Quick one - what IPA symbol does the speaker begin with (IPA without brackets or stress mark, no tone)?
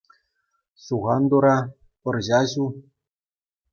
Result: s